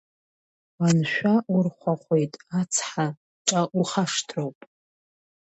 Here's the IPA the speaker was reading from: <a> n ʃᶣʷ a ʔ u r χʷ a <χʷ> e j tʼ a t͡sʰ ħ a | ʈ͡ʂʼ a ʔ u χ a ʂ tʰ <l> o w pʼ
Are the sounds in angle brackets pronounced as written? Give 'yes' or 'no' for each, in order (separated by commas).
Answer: yes, yes, no